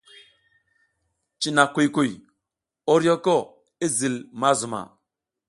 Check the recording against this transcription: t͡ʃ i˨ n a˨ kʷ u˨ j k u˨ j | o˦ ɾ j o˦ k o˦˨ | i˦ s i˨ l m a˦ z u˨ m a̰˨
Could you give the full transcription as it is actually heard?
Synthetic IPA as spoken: t͡ʃ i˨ n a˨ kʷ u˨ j k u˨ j | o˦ ɾ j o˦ k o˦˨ | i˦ z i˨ l m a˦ z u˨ m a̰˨